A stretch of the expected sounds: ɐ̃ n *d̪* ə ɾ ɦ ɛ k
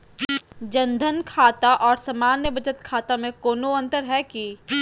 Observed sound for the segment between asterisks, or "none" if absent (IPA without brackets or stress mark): t̪